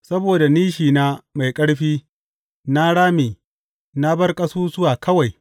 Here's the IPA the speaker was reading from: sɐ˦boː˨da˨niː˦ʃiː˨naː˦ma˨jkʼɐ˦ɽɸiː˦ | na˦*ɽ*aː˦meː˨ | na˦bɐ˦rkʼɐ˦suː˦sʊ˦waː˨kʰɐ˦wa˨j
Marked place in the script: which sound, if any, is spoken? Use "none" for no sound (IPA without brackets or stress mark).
ɽ